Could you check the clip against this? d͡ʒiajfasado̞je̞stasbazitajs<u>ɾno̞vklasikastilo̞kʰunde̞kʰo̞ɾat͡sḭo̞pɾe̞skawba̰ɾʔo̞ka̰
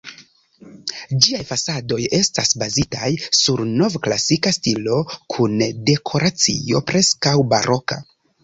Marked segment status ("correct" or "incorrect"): correct